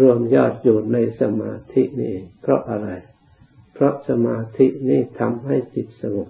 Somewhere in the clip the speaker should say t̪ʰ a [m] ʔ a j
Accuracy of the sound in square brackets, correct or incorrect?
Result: correct